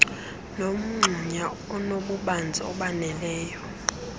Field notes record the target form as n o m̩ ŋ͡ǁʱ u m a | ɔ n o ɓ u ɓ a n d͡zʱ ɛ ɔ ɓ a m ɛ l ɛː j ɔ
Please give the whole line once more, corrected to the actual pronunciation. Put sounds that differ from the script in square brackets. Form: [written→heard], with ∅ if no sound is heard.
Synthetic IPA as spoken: n o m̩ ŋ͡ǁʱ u [m→ɲ] a | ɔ n o ɓ u ɓ a n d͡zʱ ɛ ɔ ɓ a [m→n] ɛ l ɛː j ɔ